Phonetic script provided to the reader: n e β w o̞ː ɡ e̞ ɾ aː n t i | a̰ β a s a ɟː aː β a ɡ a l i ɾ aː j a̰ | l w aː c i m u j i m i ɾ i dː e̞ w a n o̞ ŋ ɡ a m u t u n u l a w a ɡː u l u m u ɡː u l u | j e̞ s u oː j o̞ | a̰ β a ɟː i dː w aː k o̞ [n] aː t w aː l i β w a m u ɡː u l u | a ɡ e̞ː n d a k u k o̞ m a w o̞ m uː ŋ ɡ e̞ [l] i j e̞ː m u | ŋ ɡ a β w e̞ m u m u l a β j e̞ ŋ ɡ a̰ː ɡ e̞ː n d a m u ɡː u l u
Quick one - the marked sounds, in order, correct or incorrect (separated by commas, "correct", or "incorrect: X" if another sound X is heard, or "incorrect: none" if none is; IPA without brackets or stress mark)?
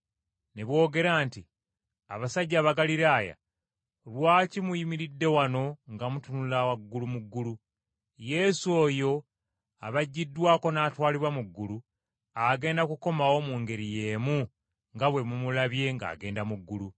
correct, incorrect: ɾ